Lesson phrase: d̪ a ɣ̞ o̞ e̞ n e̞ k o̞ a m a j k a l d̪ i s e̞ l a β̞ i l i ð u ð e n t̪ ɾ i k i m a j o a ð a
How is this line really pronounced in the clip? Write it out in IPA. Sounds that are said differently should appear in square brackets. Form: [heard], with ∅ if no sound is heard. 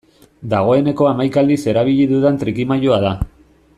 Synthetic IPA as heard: d̪ a ɣ̞ o̞ e̞ n e̞ k o̞ a m a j k a l d̪ i s e̞ [ɾ] a β̞ i [ʎ] i ð u ð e n t̪ ɾ i k i m a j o a ð a